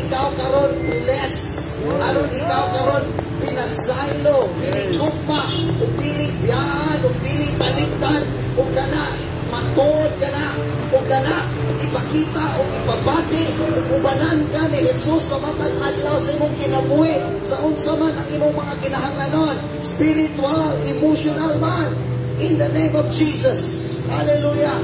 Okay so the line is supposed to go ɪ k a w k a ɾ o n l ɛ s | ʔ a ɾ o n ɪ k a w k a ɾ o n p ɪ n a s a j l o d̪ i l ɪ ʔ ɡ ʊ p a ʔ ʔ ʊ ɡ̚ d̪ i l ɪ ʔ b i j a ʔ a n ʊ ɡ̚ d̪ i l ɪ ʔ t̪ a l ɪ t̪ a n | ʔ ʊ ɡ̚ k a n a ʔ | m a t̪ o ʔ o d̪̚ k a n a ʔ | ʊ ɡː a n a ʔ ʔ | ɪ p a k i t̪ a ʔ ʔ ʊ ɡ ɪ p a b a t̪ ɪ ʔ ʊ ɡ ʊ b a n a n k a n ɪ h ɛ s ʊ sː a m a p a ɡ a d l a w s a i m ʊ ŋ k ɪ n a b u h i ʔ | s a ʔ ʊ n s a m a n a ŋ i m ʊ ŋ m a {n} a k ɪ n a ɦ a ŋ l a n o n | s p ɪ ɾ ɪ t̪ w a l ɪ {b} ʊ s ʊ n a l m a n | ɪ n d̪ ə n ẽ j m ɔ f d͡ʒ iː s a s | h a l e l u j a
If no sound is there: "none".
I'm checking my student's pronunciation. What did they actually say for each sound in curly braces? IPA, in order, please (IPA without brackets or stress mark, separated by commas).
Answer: ŋ, m